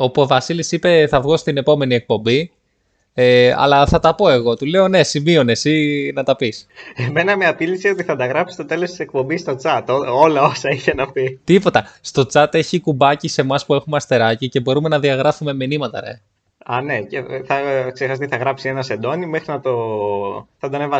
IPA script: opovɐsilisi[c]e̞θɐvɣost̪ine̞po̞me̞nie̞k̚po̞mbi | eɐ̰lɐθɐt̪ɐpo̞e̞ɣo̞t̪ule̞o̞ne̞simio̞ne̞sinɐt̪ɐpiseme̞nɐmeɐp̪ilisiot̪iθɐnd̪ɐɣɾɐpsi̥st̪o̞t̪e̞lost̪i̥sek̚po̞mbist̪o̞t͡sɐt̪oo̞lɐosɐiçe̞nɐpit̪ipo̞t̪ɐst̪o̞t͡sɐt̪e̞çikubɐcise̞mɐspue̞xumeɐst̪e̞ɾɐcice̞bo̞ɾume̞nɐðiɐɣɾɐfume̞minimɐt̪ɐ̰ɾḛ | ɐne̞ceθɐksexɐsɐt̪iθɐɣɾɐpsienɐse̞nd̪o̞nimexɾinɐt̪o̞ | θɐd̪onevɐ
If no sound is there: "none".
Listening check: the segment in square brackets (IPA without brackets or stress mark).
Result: p